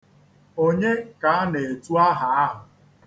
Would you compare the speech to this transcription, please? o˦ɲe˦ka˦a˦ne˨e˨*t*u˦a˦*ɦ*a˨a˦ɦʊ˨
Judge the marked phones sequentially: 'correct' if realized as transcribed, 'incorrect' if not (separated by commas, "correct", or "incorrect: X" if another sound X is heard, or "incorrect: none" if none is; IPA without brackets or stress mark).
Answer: correct, correct